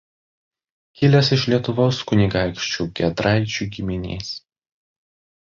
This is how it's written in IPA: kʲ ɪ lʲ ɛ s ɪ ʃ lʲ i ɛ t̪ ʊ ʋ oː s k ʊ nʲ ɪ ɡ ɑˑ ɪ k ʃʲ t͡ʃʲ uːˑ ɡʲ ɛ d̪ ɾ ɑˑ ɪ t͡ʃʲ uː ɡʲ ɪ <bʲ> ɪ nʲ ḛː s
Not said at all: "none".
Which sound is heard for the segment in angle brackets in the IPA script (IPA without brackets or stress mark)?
mʲ